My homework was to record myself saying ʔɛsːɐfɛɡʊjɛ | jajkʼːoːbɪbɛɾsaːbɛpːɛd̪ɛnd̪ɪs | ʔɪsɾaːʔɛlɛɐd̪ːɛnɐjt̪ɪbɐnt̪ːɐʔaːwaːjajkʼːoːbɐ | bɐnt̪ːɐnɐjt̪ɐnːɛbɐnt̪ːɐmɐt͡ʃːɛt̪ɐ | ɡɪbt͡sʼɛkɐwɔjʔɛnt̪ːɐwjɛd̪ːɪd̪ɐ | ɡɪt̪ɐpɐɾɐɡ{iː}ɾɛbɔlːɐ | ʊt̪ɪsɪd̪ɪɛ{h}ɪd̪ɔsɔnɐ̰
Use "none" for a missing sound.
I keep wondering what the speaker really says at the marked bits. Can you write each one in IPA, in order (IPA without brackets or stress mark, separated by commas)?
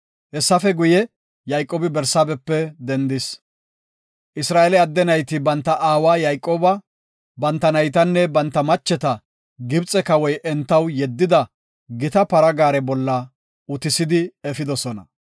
aː, f